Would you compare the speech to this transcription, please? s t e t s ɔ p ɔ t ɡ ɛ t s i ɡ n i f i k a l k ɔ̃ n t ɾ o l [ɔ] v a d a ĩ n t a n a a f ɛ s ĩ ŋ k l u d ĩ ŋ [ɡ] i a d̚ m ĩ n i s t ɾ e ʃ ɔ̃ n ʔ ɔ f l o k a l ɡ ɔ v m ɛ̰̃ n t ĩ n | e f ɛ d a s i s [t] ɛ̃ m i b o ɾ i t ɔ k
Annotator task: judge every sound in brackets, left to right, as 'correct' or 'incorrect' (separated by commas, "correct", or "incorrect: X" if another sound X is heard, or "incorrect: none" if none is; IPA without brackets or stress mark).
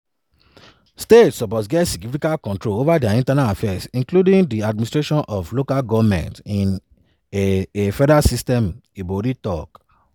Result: incorrect: o, incorrect: d, correct